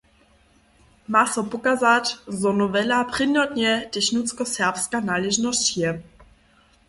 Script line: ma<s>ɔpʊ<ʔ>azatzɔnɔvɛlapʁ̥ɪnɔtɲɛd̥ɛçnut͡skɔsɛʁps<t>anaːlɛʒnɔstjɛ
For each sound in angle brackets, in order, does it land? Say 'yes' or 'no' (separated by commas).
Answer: yes, no, no